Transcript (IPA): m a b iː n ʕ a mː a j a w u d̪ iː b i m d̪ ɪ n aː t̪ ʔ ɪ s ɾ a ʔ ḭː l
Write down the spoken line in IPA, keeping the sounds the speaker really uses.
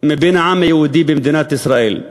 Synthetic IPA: m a b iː n ʕ a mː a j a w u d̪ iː b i m d̪ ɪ n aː t̪ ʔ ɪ s ɾ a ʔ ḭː l